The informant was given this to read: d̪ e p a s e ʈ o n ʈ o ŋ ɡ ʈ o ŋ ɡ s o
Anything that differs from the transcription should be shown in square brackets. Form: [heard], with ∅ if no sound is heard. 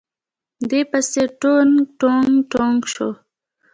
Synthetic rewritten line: d̪ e p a s e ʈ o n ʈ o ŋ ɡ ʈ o ŋ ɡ [ʃ] o